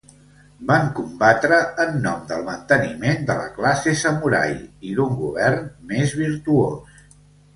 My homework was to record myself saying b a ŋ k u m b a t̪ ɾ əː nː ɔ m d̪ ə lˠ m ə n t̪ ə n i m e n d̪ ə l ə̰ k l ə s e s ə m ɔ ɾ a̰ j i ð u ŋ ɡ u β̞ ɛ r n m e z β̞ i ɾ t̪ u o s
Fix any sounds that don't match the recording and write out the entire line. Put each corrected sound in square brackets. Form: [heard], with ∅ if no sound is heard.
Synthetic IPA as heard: b a ŋ k u m b a t̪ ɾ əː nː ɔ m d̪ ə lˠ m ə n t̪ ə n i m e n d̪ ə l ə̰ k l [a] s e s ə m [u] ɾ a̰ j i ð u ŋ ɡ u β̞ ɛ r n m e z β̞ i ɾ t̪ u o s